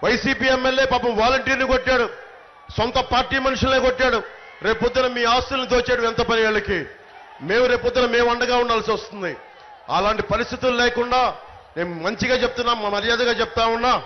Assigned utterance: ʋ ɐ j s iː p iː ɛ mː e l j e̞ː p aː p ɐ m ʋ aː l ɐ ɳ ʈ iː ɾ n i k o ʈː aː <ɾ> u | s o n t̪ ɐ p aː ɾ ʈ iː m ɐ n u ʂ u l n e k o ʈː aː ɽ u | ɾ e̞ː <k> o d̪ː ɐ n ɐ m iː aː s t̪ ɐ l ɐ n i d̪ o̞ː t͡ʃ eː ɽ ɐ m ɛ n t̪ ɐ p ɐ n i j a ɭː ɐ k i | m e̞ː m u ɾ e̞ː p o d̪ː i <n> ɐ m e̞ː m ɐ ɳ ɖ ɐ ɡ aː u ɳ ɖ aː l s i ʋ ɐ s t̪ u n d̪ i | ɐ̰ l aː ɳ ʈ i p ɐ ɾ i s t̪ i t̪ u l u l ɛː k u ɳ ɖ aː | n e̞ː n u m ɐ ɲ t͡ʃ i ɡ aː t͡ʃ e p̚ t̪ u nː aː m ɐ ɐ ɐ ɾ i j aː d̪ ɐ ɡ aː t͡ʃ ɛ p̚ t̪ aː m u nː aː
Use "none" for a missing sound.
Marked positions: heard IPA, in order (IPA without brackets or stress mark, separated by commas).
ɽ, p, n